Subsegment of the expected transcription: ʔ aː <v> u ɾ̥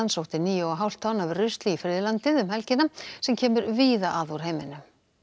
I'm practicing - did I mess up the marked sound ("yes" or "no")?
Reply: yes